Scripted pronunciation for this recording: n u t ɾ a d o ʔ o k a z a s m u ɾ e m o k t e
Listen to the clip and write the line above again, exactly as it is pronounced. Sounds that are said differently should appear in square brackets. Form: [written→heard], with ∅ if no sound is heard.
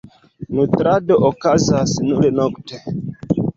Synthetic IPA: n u t ɾ a d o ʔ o k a z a s [m→n] u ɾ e [m→n] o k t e

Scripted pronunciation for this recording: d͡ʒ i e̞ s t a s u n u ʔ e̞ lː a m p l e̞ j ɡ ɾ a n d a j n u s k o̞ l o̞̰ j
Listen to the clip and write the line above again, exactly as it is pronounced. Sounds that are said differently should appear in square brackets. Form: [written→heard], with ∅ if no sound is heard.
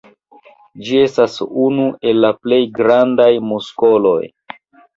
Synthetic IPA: d͡ʒ i e̞ s t a s u n u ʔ e̞ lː a [m→∅] p l e̞ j ɡ ɾ a n d a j [n→m] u s k o̞ l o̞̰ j

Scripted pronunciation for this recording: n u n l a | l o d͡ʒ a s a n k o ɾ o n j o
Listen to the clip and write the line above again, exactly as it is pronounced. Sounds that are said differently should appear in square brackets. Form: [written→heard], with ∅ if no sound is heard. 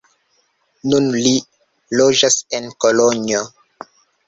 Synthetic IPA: n u n l [a→i] | l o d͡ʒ a s [a→e] n k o [ɾ→l] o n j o

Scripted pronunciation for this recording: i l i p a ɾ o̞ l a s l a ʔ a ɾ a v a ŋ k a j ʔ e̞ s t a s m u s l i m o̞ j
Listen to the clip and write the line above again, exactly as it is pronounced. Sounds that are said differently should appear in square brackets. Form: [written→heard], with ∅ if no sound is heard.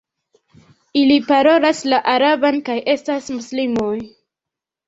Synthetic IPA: i l i p a ɾ o̞ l a s l a ʔ a ɾ a [v→b] a [ŋ→n] k a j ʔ e̞ s t a s m u s l i m o̞ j

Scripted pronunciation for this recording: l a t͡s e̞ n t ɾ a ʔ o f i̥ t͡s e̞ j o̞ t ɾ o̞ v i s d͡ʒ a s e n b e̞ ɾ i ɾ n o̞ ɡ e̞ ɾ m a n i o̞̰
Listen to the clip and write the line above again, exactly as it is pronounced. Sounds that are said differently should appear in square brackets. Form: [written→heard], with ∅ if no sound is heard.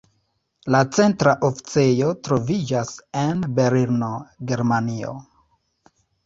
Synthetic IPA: l a t͡s e̞ n t ɾ a ʔ o f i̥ t͡s e̞ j o̞ t ɾ o̞ v i [s→∅] d͡ʒ a s e n b e̞ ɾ i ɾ n o̞ ɡ e̞ ɾ m a n i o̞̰

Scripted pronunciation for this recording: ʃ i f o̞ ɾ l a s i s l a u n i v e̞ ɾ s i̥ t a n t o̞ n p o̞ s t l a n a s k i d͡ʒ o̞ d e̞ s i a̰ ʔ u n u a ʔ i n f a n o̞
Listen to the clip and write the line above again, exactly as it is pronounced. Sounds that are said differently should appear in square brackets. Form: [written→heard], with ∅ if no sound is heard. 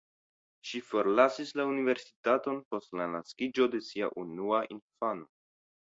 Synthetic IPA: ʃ i f o̞ ɾ l a s i s l a u n i v e̞ ɾ s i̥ t a [n→∅] t o̞ n p o̞ s t l a n a s k i d͡ʒ o̞ d e̞ s i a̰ ʔ u n u a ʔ i n f a n o̞

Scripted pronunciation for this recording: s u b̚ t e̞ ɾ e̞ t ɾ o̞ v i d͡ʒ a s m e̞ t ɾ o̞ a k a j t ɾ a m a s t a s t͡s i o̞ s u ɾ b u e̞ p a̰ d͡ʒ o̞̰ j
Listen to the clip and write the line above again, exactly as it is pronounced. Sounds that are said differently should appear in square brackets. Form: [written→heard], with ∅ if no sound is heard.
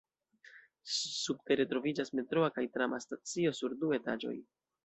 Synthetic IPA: s u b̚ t e̞ ɾ e̞ t ɾ o̞ v i d͡ʒ a s m e̞ t ɾ o̞ a k a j t ɾ a m a s t a [s→∅] t͡s i o̞ s u ɾ [b→d] u e̞ [p→t] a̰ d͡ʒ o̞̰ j

